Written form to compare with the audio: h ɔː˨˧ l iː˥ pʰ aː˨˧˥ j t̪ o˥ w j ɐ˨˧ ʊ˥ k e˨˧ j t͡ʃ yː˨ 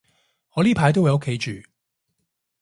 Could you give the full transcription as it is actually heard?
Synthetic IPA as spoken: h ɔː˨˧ l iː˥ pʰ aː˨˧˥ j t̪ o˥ w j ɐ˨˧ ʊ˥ kʰ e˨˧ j t͡ʃ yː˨